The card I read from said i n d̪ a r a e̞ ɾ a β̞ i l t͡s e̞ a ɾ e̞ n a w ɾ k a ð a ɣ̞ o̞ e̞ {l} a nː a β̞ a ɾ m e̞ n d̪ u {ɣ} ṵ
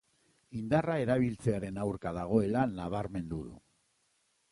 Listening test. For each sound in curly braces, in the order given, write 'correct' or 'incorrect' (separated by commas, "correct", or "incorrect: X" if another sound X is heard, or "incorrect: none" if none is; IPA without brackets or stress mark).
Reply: correct, incorrect: ð